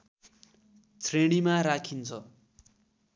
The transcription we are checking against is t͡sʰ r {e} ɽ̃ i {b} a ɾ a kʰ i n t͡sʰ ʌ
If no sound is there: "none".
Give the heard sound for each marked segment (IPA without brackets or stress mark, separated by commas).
e, m